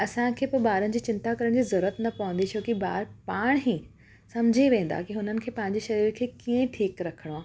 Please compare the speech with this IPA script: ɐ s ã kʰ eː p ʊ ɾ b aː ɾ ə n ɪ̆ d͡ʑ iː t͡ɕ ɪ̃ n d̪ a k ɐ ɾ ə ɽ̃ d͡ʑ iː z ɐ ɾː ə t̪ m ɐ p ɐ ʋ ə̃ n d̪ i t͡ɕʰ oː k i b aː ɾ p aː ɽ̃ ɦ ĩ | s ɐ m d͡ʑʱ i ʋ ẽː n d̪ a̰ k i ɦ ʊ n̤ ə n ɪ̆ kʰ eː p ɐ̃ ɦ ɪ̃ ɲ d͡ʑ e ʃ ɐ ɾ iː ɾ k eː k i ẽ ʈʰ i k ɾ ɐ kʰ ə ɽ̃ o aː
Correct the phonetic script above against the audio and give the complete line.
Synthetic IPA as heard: ɐ s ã kʰ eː p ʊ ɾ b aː ɾ ə n ɪ̆ d͡ʑ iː t͡ɕ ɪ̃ n t̪ a k ɐ ɾ ə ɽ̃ d͡ʑ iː z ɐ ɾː ə t̪ n ɐ p ɐ ʋ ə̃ n d̪ i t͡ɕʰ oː k i b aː ɾ p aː ɽ̃ ɦ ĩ | s ɐ m d͡ʑʱ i ʋ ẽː n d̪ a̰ k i ɦ ʊ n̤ ə n ɪ̆ kʰ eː p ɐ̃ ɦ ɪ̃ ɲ d͡ʑ e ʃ ɐ ɾ iː ɾ kʰ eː k i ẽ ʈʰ iː k ɾ ɐ kʰ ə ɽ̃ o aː